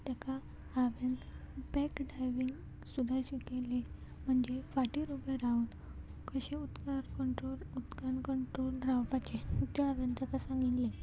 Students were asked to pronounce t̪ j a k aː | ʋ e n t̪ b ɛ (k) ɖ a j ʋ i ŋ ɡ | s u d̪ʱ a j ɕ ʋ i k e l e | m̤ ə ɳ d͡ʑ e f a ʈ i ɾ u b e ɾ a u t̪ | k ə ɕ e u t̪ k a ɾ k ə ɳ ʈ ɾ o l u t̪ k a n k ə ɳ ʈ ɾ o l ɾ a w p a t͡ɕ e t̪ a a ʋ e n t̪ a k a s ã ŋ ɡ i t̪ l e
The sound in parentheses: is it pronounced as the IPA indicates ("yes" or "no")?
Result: yes